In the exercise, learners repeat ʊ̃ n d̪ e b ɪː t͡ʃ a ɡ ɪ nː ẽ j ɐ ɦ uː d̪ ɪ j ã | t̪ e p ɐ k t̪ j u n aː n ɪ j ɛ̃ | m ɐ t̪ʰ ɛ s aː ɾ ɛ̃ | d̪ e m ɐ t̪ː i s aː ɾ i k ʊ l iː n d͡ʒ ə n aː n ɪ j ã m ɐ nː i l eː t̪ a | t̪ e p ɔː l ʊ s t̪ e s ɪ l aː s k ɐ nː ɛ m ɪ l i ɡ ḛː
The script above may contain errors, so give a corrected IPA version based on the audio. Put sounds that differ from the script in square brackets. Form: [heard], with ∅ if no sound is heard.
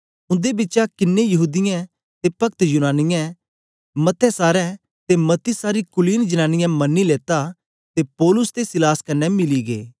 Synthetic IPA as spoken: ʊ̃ n d̪ e b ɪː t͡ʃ a [k] ɪ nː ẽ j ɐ ɦ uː d̪ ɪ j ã | t̪ e p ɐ k t̪ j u n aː n ɪ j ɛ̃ | m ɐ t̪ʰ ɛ s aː ɾ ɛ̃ | [t̪] e m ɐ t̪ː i s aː ɾ i k ʊ l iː n d͡ʒ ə n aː n ɪ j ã m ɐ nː i l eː t̪ a | t̪ e p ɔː l ʊ s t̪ e s ɪ l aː s k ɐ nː ɛ m ɪ l i ɡ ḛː